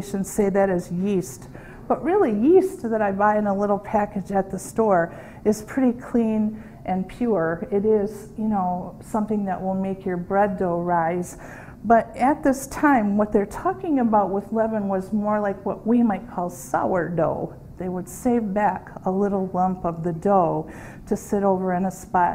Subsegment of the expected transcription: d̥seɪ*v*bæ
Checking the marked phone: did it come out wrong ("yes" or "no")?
no